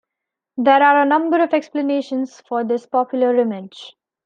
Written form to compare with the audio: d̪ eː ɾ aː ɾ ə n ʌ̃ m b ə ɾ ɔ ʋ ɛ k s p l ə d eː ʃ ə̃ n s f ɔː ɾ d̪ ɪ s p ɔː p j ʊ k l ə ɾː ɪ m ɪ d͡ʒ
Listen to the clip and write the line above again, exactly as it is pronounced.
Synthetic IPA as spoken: d̪ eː ɾ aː ɾ ə n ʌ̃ m b ə ɾ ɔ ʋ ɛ k s p l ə n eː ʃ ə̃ n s f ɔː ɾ d̪ ɪ s p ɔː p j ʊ l ə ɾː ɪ m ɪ d͡ʒ